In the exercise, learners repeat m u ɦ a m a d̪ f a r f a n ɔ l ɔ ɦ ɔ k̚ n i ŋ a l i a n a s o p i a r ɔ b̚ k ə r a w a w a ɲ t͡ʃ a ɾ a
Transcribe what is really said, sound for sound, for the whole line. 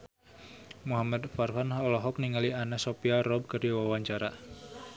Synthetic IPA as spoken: m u ɦ a m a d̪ f a r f a n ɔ l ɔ ɦ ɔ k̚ n i ŋ a l i a n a s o p i a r ɔ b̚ k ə r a w a w a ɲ t͡ʃ a ɾ a